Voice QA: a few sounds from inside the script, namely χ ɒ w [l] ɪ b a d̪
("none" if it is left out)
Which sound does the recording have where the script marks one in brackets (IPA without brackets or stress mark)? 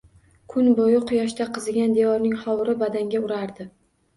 ɾ